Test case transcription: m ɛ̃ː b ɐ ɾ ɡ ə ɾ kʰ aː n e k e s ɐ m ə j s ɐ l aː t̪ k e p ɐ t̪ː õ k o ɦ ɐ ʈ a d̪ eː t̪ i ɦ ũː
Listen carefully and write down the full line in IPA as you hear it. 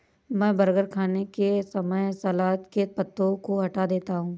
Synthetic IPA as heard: m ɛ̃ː b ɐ ɾ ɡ ə ɾ kʰ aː n e k e s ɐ m ə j s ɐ l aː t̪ k e p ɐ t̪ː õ k o ɦ ɐ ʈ a d̪ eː t̪ a ɦ ũː